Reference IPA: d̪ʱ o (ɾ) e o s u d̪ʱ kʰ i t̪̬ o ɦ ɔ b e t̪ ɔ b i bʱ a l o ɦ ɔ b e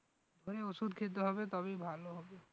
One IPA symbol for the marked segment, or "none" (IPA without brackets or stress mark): ɾ